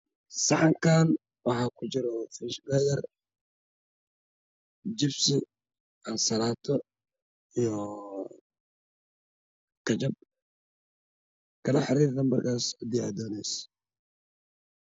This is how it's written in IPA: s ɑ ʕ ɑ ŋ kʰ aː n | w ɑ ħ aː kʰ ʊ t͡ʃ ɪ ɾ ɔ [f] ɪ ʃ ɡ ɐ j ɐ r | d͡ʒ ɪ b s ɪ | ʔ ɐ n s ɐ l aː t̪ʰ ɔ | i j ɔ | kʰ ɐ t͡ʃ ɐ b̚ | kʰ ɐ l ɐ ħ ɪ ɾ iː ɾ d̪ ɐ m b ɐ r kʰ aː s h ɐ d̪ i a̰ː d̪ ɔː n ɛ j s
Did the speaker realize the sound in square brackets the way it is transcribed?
yes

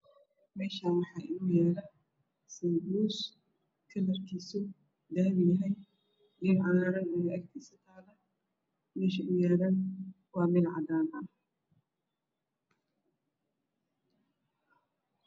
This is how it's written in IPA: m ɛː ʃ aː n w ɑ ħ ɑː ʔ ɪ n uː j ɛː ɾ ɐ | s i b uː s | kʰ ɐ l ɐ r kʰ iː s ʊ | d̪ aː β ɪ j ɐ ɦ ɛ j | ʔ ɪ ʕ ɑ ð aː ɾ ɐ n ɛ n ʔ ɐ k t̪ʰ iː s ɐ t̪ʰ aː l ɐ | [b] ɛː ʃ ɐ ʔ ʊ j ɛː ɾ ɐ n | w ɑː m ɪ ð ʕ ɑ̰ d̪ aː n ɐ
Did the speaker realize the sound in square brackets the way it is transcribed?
no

